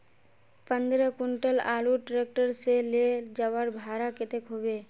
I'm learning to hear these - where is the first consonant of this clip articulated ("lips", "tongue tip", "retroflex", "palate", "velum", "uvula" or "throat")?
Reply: lips